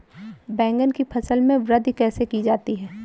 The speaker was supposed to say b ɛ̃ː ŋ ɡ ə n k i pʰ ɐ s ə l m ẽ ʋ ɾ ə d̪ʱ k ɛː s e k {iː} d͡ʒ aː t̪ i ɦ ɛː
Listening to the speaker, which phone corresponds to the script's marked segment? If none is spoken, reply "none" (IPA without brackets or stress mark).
i